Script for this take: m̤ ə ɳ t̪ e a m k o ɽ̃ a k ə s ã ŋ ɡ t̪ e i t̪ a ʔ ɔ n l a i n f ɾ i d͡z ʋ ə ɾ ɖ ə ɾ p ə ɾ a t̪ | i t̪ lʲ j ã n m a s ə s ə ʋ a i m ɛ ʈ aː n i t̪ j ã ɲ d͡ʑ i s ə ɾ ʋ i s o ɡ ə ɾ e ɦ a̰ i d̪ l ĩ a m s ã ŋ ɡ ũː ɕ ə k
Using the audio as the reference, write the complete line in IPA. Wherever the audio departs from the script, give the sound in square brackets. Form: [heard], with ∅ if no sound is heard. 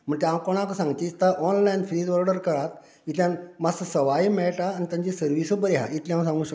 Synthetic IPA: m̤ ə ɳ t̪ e a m k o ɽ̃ a k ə s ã ŋ ɡ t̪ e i t̪ a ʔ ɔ n l a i n f ɾ i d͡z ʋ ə ɾ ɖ ə ɾ [k] ə ɾ a t̪ | i t̪ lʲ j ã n m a s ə s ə ʋ a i m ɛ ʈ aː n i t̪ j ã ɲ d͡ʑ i s ə ɾ ʋ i s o [b] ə ɾ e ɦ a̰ i [t̪] l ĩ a m s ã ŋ ɡ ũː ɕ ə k